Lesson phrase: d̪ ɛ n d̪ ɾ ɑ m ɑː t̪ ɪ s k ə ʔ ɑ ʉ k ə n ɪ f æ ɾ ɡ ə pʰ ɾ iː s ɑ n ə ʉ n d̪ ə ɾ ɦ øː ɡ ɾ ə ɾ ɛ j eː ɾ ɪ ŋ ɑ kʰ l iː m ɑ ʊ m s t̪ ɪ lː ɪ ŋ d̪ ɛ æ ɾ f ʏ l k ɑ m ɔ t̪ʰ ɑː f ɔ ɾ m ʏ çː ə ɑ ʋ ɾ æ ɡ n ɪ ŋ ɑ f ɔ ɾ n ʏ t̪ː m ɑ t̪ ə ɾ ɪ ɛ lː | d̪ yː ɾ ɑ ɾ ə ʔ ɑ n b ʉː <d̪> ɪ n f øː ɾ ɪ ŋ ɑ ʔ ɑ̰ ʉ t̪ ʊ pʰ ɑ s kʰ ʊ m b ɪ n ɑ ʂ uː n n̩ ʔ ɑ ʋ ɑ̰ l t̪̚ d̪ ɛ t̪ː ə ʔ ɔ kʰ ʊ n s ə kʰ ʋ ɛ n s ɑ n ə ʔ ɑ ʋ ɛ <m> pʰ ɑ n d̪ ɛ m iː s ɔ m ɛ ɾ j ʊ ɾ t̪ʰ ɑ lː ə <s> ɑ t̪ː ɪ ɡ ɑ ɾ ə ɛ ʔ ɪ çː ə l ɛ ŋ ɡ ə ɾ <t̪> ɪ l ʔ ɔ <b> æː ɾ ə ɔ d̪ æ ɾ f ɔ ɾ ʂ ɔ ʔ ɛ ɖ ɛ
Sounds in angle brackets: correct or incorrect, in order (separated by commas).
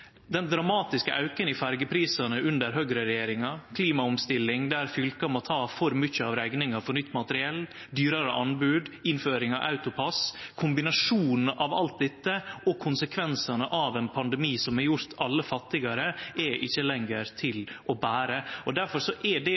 correct, incorrect, incorrect, incorrect, correct